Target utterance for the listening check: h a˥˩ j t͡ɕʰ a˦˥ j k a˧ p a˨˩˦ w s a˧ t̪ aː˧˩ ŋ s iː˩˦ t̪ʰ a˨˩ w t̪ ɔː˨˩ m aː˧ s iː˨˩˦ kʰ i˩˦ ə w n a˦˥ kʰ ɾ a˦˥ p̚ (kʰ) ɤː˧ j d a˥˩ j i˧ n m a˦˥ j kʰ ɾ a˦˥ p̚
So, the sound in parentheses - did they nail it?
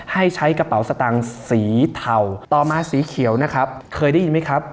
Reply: yes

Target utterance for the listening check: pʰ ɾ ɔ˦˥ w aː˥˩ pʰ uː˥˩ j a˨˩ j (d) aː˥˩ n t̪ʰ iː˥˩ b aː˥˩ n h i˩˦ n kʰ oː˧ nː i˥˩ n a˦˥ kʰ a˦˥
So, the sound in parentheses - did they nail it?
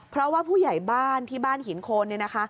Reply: no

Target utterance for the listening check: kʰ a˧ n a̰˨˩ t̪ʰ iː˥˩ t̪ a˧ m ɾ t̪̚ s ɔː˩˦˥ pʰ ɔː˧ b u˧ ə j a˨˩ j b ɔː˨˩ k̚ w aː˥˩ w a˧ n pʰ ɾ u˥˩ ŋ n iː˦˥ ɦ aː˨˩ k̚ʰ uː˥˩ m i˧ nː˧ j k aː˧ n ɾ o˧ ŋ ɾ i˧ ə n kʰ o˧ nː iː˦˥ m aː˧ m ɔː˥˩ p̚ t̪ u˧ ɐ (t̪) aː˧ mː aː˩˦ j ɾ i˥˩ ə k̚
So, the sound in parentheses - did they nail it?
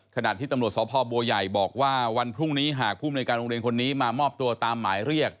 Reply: yes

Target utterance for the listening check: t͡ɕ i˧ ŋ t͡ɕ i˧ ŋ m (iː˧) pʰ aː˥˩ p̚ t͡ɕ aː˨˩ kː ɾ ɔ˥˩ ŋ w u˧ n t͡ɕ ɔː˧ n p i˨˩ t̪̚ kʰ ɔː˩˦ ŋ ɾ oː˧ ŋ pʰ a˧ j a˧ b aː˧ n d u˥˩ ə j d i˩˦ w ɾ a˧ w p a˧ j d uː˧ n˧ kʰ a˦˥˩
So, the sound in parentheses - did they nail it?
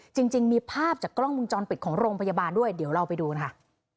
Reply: yes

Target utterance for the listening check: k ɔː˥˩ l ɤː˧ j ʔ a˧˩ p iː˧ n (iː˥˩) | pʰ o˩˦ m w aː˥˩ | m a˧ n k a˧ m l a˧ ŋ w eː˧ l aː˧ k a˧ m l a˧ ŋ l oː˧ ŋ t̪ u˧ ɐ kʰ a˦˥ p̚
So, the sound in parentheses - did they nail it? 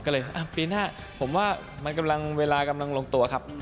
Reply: no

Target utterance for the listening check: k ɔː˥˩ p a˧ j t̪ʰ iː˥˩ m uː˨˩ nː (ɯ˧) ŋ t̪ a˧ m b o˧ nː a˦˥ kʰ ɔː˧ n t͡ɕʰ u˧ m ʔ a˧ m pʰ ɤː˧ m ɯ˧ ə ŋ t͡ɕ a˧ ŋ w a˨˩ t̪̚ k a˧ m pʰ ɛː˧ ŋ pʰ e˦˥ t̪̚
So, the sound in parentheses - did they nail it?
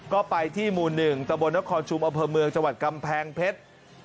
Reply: no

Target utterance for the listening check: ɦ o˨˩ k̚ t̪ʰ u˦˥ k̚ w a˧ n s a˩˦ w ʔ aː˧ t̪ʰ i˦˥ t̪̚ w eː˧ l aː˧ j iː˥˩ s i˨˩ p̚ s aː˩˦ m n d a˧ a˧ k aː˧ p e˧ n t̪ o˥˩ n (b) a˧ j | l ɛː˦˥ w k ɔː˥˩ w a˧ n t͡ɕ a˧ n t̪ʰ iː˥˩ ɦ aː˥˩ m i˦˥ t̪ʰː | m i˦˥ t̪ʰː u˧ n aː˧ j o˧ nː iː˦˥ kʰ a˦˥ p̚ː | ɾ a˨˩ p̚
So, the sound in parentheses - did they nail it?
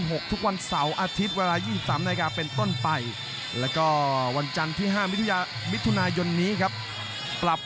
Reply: no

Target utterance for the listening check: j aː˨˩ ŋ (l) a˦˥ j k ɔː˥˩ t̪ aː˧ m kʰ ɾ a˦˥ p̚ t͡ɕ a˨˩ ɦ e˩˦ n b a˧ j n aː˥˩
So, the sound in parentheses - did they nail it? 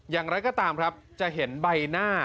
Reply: no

